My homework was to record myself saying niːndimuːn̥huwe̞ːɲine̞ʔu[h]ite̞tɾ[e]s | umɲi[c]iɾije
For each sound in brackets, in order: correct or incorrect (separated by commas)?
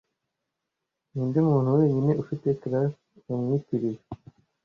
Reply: incorrect, incorrect, incorrect